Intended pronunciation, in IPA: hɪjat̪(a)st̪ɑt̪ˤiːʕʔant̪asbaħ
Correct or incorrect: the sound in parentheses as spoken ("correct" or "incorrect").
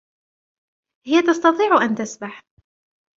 incorrect